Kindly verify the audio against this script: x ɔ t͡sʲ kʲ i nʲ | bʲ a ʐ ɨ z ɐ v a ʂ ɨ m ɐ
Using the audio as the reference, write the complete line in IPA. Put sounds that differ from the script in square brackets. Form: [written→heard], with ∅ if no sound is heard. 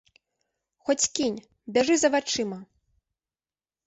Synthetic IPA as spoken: x ɔ t͡sʲ kʲ i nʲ | bʲ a ʐ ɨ z ɐ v a [ʂ→t͡ʂ] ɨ m ɐ